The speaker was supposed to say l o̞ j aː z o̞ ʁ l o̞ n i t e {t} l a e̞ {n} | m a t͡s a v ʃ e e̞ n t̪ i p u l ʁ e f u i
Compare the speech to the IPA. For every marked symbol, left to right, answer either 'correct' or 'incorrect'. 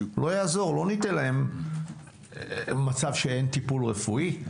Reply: incorrect: none, incorrect: m

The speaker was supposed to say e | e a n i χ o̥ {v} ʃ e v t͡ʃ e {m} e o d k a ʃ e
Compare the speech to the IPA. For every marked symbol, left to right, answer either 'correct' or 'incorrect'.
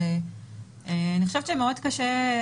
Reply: incorrect: none, correct

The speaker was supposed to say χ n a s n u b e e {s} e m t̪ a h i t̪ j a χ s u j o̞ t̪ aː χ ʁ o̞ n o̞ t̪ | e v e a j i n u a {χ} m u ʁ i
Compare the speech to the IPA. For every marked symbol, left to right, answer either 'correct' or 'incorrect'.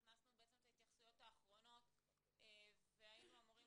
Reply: incorrect: t͡s, incorrect: none

